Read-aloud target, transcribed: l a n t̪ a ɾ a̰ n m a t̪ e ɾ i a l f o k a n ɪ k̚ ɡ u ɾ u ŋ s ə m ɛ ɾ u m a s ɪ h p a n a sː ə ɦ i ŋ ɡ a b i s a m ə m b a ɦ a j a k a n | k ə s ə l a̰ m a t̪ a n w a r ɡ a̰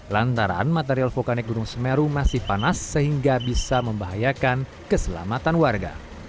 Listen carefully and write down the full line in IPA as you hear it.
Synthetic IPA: l a n t̪ a ɾ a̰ n m a t̪ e ɾ i a l f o k a n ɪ k̚ ɡ u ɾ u ŋ s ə m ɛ ɾ u m a s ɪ h p a n a sː ə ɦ i ŋ ɡ a b i s a m ə m b a ɦ a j a k a n | k ə s ə l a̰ m a t̪ a n w a r ɡ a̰